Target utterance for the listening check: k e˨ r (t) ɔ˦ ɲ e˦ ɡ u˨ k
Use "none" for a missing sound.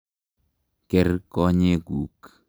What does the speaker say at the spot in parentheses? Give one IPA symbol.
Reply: k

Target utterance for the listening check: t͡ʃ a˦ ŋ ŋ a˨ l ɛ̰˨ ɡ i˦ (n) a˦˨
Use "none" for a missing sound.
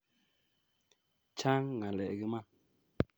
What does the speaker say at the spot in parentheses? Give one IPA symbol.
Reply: m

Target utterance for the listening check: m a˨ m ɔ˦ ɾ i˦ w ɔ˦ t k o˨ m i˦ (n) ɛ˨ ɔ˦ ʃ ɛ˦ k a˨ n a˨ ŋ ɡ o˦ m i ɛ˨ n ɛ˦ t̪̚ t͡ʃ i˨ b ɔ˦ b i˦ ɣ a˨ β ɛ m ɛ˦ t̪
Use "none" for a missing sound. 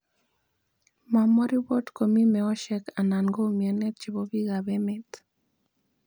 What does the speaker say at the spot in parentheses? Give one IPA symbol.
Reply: m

